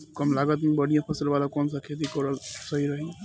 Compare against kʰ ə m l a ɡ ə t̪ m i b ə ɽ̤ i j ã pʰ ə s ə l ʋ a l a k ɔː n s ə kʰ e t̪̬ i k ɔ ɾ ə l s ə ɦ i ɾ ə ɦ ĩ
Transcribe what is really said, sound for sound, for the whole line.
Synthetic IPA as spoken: k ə m l a ɡ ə t̪ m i b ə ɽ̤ i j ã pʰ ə s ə l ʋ a l a k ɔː n s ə kʰ e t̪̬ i k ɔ ɾ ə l s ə ɦ i ɾ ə ɦ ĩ